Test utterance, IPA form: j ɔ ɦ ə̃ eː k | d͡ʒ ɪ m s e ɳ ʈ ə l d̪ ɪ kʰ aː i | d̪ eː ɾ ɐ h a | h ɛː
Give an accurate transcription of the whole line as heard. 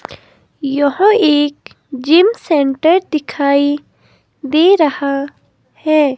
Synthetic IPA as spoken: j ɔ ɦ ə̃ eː k | d͡ʒ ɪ m s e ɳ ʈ ə ɾ d̪ ɪ kʰ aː i | d̪ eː ɾ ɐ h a | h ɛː